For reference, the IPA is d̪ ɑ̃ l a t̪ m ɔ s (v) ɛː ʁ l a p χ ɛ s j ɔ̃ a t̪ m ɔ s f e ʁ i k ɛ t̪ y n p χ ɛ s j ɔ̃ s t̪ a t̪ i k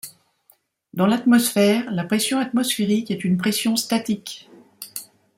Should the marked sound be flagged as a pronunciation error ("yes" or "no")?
yes